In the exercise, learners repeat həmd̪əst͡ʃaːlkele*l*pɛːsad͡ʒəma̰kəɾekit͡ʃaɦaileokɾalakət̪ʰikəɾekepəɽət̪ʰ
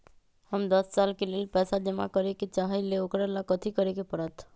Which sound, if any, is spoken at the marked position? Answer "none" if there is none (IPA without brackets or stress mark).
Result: l